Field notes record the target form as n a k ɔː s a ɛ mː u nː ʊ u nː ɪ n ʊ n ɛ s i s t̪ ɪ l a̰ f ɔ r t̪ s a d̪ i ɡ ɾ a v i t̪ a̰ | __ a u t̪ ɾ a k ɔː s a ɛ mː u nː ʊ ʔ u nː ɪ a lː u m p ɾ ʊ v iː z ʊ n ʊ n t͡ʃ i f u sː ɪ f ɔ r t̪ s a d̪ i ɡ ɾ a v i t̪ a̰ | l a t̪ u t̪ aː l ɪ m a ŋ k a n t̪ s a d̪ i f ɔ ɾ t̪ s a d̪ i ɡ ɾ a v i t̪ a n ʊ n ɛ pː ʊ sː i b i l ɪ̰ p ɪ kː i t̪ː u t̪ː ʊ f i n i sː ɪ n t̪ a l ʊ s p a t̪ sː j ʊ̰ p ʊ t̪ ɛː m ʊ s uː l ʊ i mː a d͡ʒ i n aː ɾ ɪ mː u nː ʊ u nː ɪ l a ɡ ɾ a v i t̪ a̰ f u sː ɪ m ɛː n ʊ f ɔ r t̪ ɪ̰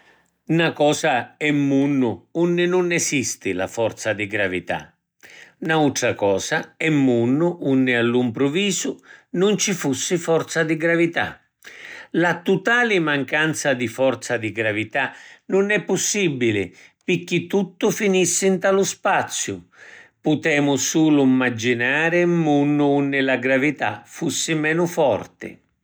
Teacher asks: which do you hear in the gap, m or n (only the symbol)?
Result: n